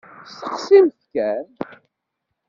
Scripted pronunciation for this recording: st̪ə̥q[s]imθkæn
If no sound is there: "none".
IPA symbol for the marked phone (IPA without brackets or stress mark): s